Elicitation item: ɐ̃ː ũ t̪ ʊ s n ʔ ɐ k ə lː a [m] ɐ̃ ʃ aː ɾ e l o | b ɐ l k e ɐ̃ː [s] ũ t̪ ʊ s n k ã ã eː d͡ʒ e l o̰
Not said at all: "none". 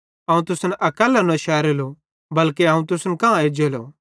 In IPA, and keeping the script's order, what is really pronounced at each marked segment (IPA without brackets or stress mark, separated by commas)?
n, none